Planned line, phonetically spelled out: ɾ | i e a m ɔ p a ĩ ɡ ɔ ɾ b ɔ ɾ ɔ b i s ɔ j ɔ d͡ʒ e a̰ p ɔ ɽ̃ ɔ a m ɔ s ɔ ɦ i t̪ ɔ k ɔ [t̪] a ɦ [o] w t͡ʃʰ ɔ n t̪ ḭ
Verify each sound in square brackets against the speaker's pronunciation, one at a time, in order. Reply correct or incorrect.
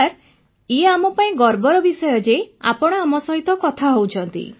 incorrect: t̪ʰ, correct

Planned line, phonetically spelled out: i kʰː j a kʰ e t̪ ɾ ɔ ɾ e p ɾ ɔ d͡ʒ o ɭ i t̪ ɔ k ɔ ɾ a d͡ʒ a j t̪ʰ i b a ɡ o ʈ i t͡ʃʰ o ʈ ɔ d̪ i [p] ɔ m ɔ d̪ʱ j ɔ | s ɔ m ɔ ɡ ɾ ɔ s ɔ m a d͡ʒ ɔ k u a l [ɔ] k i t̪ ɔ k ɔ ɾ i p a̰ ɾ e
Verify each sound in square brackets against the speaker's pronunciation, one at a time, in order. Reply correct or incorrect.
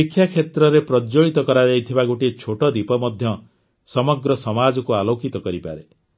correct, incorrect: o

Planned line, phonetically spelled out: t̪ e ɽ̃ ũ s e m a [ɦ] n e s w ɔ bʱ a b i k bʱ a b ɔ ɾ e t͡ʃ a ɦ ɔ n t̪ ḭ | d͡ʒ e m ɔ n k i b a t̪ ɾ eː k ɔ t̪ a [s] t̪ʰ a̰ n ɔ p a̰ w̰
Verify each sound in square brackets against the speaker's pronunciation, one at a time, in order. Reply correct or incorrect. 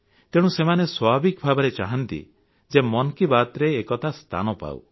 incorrect: none, correct

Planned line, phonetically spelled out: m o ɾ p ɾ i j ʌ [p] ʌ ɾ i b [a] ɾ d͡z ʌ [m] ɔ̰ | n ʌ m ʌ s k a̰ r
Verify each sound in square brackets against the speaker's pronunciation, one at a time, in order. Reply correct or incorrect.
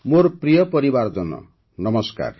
correct, correct, incorrect: n

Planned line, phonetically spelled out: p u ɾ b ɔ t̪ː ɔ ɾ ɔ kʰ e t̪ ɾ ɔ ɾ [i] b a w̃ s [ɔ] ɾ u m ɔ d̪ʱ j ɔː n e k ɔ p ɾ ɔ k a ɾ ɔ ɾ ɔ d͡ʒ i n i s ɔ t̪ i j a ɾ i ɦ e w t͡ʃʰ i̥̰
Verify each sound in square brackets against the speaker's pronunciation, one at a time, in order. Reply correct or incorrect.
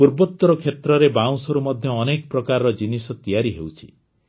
incorrect: e, correct

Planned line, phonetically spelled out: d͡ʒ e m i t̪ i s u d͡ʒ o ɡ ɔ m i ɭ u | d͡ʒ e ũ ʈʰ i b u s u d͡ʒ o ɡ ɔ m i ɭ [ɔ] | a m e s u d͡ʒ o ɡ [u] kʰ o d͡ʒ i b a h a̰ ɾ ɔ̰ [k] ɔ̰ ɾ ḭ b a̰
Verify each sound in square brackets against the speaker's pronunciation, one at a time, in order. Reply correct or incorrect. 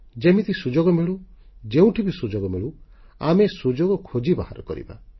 incorrect: u, incorrect: ɔ, correct

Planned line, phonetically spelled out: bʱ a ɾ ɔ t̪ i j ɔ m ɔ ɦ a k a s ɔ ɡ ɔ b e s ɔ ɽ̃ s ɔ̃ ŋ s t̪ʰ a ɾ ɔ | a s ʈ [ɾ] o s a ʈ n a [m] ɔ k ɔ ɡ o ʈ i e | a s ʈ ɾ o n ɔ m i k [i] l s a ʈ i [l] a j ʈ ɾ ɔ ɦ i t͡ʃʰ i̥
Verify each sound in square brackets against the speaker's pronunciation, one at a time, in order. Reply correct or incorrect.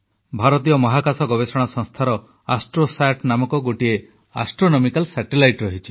correct, correct, incorrect: a, correct

